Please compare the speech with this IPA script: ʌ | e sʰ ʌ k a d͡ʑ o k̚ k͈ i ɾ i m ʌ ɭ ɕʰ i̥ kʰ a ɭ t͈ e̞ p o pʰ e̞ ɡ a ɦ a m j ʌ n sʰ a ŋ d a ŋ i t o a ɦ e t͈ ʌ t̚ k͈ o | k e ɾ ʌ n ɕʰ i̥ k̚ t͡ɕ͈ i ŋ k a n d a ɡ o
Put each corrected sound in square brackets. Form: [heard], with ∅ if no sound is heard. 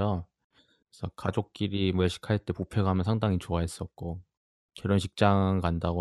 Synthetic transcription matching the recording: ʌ | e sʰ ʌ k a d͡ʑ o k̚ k͈ i ɾ i m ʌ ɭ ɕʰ i̥ kʰ a ɭ t͈ e̞ p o pʰ e̞ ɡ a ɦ a m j ʌ n sʰ a ŋ d a ŋ i [t͡ɕ] o a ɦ e [s͈] ʌ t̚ k͈ o | k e ɾ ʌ n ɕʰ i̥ k̚ t͡ɕ͈ [a] ŋ k a n d a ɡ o